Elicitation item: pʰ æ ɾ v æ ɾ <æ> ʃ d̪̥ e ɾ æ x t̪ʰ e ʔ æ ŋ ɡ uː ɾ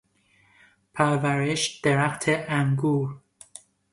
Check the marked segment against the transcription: incorrect: e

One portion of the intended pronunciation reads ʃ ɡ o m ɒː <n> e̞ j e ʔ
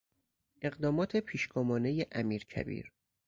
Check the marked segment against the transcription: correct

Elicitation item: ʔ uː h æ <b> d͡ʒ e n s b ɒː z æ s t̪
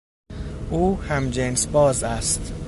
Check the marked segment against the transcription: incorrect: m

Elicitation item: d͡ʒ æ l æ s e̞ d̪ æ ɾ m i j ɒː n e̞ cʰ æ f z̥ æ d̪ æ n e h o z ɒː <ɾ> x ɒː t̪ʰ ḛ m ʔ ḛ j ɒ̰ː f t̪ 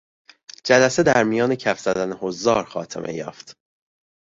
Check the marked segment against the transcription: correct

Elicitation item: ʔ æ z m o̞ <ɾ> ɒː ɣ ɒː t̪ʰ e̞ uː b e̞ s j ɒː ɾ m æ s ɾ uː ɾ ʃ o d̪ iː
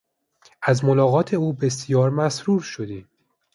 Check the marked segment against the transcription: incorrect: l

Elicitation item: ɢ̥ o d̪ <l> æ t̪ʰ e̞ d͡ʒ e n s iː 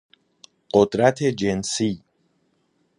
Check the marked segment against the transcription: incorrect: ɾ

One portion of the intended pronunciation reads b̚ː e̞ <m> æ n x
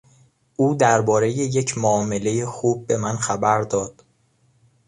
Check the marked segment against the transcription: correct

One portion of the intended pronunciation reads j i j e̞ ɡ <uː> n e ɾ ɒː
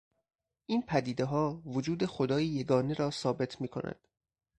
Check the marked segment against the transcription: incorrect: ɒː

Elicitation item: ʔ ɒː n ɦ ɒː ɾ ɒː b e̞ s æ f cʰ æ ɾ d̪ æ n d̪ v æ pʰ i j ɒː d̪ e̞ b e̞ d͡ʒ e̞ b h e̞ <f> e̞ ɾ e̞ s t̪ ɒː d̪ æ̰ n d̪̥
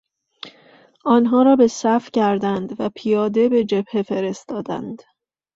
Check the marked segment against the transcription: correct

